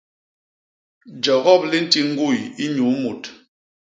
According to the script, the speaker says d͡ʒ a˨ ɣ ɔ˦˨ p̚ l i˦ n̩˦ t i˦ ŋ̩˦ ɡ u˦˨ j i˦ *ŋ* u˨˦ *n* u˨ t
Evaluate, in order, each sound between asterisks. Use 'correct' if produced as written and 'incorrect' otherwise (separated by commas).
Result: incorrect, incorrect